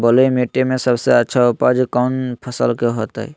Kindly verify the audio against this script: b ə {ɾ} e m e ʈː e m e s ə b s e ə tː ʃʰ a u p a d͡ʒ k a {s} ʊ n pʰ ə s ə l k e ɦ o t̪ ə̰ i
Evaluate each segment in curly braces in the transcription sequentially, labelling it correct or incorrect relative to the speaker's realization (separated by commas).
incorrect, incorrect